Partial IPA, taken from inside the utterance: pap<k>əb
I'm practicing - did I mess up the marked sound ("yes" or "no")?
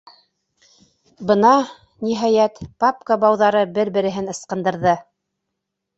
no